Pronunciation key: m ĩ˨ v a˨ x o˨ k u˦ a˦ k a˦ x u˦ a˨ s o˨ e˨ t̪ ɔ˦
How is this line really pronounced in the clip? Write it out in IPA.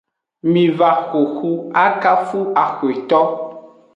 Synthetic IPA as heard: m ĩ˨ v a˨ x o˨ x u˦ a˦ k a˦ f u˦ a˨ x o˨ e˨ t̪ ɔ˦